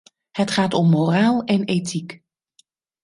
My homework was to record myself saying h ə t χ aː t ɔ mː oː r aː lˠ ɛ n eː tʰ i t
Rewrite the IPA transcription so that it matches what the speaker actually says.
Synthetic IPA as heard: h ə t χ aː t ɔ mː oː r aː lˠ ɛ n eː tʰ i k